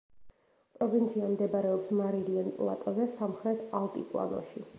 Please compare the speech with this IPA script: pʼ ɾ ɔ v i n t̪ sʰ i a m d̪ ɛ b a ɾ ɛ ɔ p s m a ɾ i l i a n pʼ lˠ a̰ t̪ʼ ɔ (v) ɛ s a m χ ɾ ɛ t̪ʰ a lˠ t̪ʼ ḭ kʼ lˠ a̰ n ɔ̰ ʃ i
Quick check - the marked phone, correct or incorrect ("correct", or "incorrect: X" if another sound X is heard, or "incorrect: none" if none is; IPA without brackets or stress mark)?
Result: incorrect: z